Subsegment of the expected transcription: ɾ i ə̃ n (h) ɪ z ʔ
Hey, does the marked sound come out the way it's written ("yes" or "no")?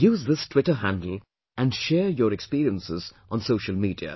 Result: no